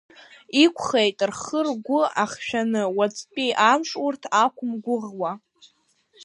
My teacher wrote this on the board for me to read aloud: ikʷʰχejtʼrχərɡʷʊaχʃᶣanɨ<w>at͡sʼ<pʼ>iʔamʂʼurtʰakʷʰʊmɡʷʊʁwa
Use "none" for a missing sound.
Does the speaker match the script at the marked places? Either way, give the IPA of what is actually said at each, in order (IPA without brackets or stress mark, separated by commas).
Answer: w, pʼ